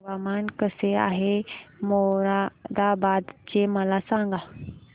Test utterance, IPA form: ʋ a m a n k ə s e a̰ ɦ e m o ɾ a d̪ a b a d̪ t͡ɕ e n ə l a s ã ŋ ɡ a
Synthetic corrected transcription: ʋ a m a n k ə s e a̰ ɦ e m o ɾ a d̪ a b a d̪ t͡ɕ e m ə l a s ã ŋ ɡ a